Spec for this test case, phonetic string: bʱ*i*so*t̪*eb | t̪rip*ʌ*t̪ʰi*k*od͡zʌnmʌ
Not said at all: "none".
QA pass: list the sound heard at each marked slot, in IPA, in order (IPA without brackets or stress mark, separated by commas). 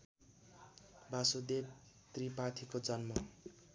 a, d̪, a, k